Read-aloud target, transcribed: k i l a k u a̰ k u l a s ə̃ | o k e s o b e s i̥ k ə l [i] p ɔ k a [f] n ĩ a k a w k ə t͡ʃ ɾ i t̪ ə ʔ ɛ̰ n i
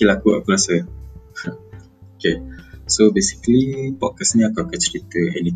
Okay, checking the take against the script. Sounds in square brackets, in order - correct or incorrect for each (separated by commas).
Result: correct, incorrect